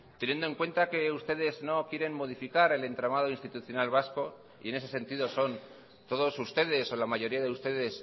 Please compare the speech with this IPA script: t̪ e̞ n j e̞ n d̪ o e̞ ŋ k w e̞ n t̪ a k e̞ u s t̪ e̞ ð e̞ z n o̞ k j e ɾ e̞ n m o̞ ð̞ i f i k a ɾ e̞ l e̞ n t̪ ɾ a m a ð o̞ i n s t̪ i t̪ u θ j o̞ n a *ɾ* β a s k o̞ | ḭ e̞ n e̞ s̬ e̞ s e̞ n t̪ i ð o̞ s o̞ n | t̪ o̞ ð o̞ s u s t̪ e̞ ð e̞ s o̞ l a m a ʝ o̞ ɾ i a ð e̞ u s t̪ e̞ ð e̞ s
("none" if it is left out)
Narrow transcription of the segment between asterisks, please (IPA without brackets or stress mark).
l